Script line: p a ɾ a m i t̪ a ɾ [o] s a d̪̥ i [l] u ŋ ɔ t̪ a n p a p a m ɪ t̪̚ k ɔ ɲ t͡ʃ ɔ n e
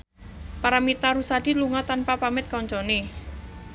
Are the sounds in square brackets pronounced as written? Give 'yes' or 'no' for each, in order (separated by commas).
no, yes